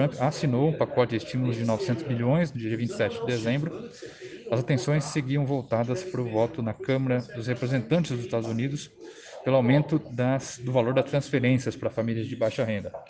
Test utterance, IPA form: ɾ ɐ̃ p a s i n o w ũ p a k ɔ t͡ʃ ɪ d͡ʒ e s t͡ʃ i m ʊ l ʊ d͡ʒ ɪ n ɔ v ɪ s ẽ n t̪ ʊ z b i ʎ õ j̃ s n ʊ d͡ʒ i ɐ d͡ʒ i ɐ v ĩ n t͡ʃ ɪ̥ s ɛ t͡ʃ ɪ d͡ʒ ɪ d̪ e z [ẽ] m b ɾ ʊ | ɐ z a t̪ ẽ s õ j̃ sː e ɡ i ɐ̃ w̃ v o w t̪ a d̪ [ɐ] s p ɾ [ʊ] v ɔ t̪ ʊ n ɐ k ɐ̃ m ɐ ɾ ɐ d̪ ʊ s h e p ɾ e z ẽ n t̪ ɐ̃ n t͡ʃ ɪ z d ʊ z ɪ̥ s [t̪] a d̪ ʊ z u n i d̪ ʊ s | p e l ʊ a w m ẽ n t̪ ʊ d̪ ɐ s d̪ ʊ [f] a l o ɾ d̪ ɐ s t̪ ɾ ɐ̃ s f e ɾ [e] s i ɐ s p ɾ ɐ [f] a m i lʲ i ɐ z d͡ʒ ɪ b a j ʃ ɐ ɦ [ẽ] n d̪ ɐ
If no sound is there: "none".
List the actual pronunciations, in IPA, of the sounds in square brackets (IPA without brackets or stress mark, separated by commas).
ẽ, ɐ, ʊ, t̪, v, ẽ, f, ẽ